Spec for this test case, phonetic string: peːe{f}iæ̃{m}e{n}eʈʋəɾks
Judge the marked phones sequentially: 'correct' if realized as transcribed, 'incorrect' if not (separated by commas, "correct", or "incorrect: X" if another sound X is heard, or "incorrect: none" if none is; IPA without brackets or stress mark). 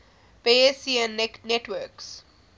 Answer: incorrect: s, incorrect: n, correct